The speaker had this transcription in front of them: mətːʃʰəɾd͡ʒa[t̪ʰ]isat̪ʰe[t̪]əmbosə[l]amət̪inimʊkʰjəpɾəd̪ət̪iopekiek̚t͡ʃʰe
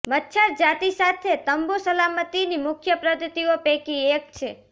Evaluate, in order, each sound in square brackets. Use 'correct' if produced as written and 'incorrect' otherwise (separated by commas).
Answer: incorrect, correct, correct